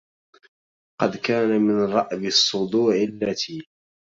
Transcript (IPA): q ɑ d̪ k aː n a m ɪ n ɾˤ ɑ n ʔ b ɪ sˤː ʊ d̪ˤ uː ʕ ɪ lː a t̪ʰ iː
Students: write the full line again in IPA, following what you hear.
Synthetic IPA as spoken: q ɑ d̪ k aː n a m ɪ n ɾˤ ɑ ʔ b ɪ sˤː ʊ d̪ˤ uː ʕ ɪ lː a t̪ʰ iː